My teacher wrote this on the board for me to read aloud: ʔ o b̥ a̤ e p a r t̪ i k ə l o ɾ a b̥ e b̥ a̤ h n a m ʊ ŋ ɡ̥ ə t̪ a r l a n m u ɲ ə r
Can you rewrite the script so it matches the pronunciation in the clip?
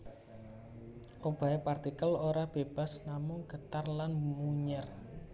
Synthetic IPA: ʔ o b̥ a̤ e p a r t̪ i k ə l o ɾ a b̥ e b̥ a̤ s n a m ʊ ŋ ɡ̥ ə t̪ a r l a n m u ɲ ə r